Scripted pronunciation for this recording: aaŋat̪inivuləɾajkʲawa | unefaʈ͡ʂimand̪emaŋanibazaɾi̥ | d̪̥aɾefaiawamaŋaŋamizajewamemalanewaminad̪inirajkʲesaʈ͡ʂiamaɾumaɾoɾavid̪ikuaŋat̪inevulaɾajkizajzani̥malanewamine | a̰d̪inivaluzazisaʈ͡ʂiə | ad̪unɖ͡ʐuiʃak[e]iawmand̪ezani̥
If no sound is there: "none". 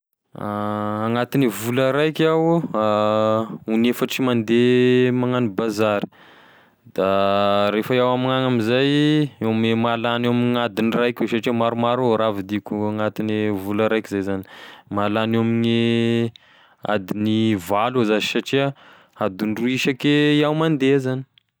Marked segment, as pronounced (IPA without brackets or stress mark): e